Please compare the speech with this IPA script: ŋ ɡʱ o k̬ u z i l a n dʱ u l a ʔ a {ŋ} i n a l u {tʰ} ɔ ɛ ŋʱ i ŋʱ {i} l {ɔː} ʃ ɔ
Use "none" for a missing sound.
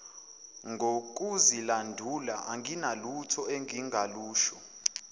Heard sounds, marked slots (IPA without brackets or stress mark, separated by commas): ŋ, tʰ, a, uː